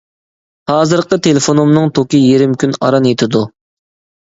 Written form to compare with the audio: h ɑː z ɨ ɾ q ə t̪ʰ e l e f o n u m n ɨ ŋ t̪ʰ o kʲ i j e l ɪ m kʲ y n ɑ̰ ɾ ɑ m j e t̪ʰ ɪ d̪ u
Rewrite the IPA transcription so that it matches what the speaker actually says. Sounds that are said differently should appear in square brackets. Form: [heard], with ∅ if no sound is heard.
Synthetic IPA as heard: h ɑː z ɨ ɾ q ə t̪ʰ e l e f o n u m n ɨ ŋ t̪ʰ o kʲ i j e [ɾ] ɪ m kʲ y n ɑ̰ ɾ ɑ [n] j e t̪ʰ ɪ d̪ u